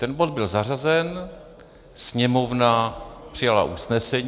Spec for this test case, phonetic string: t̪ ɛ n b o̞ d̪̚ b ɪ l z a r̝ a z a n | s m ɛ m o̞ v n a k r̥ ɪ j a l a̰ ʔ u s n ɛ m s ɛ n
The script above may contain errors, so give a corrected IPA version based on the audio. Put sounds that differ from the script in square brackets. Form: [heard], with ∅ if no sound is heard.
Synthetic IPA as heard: t̪ ɛ n b o̞ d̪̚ b ɪ l z a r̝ a z [ɛ] n | s [ɲ] ɛ m o̞ v n a [p] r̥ ɪ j a l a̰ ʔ u s n ɛ [∅] s ɛ [ɲ]